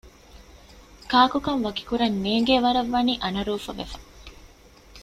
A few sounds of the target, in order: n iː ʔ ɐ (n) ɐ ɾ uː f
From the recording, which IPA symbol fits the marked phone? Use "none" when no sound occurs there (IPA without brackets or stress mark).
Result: n